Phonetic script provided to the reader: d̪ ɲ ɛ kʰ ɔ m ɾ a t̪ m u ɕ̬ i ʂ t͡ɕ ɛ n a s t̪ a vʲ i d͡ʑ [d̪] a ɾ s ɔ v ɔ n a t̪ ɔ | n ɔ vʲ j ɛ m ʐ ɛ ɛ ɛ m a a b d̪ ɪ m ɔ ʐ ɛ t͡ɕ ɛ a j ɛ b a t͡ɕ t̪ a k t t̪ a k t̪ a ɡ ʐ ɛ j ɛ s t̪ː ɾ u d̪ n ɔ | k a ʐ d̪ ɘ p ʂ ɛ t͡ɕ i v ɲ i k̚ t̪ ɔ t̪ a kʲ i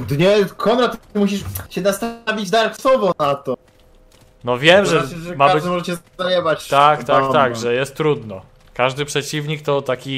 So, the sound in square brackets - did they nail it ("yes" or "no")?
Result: yes